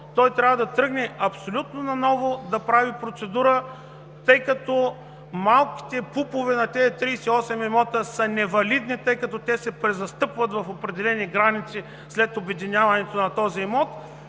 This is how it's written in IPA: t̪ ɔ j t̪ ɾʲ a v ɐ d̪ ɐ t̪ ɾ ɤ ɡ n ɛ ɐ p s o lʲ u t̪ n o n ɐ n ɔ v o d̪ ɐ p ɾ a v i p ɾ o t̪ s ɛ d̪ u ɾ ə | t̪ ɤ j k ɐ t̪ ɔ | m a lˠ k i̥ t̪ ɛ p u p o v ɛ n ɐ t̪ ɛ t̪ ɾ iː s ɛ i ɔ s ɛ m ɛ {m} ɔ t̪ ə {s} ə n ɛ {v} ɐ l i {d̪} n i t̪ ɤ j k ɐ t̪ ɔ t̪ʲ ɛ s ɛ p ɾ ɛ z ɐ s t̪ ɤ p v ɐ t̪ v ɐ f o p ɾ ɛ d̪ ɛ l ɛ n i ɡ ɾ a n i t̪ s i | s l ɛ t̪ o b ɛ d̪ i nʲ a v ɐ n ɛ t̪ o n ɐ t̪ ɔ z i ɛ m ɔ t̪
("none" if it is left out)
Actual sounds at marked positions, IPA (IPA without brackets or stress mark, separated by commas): m, s, v, d̪